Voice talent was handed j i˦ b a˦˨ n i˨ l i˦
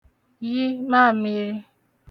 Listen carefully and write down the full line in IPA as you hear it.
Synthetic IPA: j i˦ m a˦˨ m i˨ ɾ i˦